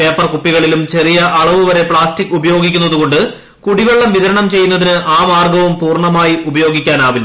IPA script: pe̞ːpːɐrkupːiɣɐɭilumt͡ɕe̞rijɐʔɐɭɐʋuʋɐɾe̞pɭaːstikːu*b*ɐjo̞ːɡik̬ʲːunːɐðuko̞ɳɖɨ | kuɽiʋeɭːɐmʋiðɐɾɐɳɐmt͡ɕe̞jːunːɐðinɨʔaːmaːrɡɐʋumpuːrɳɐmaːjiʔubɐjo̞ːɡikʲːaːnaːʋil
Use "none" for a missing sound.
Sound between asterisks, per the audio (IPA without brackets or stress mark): b